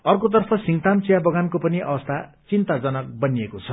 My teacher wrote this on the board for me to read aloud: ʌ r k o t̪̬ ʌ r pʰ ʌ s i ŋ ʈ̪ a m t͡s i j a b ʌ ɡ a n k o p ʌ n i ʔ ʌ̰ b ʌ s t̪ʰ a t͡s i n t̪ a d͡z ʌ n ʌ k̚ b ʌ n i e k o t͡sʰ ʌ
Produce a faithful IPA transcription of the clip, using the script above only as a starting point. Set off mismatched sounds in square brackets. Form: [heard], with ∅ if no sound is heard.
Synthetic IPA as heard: ʌ r k o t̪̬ ʌ r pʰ ʌ s i ŋ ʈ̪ a m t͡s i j a b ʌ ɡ a n k o p ʌ n i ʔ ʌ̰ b ʌ s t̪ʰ a t͡s i n t̪ a d͡z ʌ n ʌ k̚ b ʌ n i e k o t͡sʰ ʌ